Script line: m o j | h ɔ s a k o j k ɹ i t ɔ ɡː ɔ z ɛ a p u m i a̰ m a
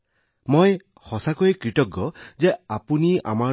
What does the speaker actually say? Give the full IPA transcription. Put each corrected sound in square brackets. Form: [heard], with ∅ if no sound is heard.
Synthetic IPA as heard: m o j | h ɔ s a k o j k ɹ i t ɔ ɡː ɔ z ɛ a p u [n] i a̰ m a